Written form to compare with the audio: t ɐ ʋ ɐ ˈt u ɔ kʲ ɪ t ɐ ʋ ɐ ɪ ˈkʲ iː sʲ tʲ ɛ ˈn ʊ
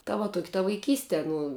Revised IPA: t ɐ ʋ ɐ ˈt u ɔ kʲ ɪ t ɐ ʋ ɐ ɪ ˈkʲ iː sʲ tʲ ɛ ˈn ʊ